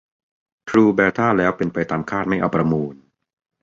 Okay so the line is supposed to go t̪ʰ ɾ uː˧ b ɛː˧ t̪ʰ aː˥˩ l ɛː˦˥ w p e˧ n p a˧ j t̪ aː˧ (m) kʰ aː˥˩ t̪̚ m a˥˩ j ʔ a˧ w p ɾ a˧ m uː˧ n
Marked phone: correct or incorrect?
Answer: correct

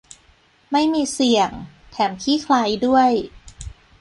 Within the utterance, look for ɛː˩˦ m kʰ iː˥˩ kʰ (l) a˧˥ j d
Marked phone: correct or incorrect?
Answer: correct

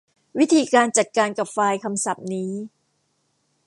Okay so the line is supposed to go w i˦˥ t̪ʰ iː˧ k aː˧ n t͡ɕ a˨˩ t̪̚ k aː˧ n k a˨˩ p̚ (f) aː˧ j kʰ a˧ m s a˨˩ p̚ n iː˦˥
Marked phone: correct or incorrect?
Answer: correct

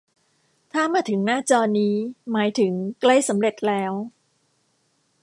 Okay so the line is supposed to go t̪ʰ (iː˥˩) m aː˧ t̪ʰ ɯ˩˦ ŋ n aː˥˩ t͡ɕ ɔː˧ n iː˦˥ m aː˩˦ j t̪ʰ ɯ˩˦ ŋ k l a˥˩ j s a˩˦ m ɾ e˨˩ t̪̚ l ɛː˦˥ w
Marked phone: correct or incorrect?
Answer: incorrect: aː˥˩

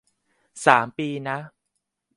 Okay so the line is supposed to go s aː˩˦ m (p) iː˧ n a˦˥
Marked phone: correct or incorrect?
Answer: correct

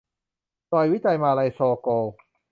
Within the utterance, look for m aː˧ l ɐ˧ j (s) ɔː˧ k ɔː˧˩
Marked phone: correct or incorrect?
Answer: correct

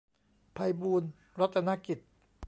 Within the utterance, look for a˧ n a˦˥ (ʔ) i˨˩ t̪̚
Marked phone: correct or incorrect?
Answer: incorrect: k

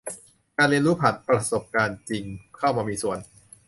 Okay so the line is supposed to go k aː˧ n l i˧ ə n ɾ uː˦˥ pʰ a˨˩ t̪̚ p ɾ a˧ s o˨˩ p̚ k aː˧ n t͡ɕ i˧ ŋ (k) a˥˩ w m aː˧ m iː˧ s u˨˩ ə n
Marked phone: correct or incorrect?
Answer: incorrect: kʰ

